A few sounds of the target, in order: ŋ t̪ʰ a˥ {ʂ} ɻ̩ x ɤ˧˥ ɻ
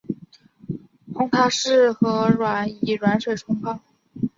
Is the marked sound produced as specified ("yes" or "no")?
yes